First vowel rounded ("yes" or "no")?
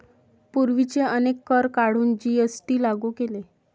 yes